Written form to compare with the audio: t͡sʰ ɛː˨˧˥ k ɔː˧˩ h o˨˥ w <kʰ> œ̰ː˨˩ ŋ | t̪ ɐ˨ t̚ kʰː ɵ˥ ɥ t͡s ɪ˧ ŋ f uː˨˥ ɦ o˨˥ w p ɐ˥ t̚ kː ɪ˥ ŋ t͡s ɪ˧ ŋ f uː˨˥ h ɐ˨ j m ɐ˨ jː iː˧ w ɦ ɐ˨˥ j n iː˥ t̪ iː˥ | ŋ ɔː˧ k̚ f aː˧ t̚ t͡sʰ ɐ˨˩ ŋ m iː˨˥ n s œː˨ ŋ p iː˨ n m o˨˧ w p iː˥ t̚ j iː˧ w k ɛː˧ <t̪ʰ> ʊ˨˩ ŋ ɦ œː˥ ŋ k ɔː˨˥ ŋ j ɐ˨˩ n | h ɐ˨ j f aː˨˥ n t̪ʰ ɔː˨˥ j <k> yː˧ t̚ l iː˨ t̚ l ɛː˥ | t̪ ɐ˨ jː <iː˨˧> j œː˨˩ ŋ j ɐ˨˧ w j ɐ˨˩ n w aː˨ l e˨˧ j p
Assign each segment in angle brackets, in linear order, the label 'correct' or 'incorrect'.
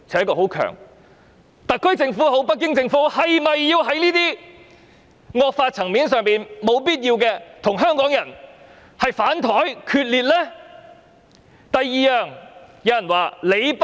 correct, correct, incorrect, correct

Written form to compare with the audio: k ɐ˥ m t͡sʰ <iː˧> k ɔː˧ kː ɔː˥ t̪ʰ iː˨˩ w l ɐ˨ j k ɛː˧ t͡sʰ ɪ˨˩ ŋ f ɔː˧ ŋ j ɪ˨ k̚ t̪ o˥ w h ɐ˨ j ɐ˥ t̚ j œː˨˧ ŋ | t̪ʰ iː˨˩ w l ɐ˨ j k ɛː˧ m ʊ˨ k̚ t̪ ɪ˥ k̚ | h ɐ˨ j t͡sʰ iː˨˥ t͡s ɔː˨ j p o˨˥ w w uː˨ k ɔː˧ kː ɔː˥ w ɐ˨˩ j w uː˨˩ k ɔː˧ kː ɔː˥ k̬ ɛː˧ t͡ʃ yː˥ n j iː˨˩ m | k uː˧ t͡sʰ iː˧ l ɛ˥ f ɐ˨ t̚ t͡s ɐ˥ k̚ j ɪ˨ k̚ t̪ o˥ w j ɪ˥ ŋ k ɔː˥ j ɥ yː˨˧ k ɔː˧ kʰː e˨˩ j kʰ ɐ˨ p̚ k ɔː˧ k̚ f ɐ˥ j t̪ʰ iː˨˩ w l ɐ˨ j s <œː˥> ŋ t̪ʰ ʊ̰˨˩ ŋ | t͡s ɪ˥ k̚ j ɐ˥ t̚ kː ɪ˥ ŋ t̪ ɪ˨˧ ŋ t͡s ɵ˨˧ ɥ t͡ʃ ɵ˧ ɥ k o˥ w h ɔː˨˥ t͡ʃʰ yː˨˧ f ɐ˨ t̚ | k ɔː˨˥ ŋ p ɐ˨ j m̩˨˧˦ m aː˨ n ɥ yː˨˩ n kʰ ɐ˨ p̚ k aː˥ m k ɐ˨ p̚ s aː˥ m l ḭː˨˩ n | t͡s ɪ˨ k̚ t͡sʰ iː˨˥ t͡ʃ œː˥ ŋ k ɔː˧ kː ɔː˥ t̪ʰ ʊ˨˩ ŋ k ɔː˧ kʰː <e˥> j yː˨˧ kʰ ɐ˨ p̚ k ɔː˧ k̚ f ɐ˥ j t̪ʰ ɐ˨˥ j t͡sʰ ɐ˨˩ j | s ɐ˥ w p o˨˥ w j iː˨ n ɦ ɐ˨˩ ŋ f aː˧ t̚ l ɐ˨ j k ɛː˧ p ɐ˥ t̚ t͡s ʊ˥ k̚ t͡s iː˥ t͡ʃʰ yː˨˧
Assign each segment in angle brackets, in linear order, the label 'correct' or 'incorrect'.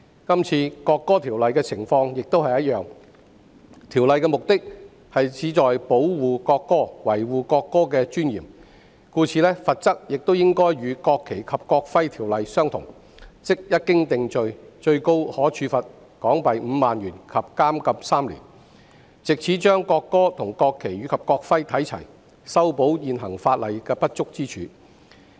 correct, correct, incorrect

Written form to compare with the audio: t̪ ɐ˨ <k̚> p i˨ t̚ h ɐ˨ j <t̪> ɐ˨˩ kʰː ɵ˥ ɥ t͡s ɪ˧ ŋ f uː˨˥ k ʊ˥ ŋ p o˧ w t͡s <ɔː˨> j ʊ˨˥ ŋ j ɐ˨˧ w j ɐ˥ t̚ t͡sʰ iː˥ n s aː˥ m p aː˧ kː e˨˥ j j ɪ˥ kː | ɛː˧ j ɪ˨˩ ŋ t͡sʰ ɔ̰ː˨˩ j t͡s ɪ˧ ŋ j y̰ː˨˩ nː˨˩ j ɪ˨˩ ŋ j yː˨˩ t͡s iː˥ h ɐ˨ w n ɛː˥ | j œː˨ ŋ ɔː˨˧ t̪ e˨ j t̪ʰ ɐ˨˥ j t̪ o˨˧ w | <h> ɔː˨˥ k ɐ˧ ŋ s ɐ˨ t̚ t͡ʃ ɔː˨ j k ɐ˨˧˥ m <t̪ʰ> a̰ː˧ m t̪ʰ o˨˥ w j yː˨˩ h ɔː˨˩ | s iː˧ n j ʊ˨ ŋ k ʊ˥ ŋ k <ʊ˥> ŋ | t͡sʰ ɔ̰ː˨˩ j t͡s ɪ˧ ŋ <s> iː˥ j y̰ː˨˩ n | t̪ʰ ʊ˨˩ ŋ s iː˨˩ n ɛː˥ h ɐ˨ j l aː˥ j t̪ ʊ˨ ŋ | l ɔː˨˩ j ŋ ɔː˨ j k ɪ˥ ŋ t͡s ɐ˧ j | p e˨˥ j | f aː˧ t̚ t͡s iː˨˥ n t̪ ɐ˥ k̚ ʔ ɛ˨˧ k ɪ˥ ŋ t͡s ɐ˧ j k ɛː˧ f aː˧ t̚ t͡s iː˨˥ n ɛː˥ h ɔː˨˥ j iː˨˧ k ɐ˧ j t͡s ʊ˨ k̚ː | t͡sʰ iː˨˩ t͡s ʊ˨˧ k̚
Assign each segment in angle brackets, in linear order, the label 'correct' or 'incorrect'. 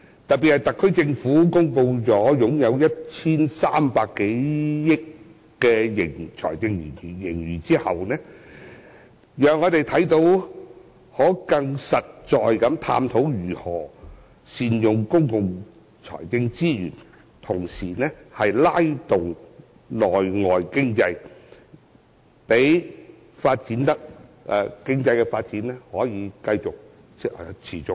incorrect, correct, incorrect, correct, correct, incorrect, incorrect

